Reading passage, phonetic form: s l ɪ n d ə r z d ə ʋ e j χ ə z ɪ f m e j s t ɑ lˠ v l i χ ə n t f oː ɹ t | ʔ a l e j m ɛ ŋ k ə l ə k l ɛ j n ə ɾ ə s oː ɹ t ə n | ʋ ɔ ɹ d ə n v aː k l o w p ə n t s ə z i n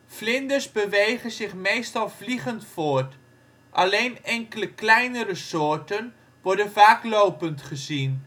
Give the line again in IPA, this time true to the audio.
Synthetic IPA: f l ɪ n d ə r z b ə ʋ e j χ ə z ɪ χ m e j s t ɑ lˠ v l i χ ə n t f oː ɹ t | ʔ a l e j n ɛ ŋ k ə l ə k l ɛ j n ə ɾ ə s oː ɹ t ə n | ʋ ɔ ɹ d ə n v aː k l o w p ə n t χ ə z i n